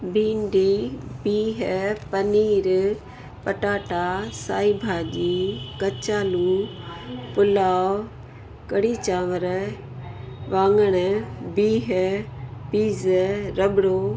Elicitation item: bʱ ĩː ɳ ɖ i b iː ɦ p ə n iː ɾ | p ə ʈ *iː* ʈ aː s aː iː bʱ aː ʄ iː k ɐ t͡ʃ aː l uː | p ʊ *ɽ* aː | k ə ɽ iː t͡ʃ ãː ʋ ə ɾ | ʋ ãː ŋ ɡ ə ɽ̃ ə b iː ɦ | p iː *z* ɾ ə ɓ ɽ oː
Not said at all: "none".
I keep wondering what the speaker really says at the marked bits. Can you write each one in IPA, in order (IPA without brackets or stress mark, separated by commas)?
aː, l, z